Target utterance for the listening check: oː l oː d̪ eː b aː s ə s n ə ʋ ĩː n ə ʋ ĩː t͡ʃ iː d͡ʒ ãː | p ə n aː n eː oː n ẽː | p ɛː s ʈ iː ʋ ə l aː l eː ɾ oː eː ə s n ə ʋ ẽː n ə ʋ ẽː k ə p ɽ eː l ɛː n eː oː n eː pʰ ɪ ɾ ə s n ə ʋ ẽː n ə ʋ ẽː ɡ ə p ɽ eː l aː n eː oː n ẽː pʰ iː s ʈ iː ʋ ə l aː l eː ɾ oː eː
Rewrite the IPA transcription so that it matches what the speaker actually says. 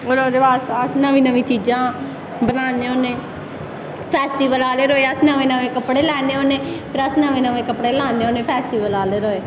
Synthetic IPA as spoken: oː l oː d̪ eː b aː s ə s n ə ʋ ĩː n ə ʋ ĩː t͡ʃ iː d͡ʒ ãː | b ə n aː n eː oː n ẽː | pʰ ɛː s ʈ iː ʋ ə l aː l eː ɾ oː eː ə s n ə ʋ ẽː n ə ʋ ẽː k ə p ɽ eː l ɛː n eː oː n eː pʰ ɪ ɾ ə s n ə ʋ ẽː n ə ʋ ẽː k ə p ɽ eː l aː n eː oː n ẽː pʰ ɛː s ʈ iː ʋ ə l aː l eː ɾ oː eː